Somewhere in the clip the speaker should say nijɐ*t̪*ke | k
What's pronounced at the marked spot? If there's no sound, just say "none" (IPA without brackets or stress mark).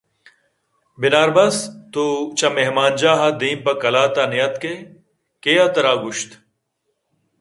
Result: t̪